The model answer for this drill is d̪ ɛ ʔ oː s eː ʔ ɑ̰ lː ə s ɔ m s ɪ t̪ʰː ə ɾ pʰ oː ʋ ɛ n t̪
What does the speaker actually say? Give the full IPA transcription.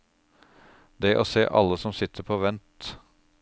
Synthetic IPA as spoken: d̪ ɛ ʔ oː s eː ʔ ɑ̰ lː ə s ɔ m s ɪ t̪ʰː ə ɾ pʰ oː ʋ ɛ n t̪